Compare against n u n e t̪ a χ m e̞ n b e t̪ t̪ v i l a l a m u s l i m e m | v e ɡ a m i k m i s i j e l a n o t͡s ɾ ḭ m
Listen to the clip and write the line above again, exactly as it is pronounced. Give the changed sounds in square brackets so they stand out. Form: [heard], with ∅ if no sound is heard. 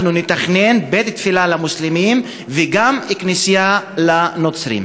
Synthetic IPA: n u n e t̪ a χ [n] e̞ n b e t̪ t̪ [f] i l a l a m u s l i m [i] m | v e ɡ a m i k [n] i s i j [a] l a n o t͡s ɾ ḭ m